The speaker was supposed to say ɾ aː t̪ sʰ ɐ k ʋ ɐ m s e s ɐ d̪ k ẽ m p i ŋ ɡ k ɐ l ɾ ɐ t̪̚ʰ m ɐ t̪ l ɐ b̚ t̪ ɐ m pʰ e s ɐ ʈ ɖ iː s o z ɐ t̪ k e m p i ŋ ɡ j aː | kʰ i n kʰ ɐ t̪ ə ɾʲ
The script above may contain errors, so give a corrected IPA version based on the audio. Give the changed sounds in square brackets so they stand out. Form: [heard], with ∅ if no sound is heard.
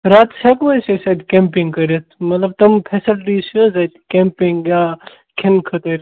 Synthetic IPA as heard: ɾ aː t̪ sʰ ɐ k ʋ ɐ [∅] s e s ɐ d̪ k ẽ m p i ŋ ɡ k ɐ [∅] ɾ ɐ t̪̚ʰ m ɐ t̪ l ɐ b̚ t̪ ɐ m pʰ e s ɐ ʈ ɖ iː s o z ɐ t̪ k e m p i ŋ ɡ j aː | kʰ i n kʰ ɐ t̪ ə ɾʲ